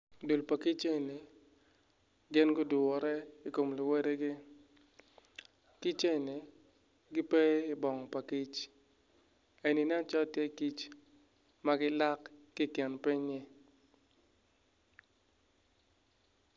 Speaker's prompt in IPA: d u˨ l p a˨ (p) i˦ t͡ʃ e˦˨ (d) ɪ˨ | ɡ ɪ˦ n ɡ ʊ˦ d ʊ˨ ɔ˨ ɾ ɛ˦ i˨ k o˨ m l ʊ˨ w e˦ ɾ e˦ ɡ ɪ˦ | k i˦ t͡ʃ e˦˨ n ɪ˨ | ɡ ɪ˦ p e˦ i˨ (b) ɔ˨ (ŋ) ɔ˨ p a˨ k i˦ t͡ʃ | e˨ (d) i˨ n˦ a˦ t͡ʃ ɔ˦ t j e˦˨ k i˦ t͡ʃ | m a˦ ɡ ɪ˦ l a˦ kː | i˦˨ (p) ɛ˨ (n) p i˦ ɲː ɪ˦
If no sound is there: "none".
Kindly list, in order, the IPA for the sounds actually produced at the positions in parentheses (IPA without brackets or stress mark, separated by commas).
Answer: k, n, b, ŋ, n, k, n